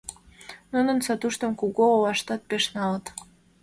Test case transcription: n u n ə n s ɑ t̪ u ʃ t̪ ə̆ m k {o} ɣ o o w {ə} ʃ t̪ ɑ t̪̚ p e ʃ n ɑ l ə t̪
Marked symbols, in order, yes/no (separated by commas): no, no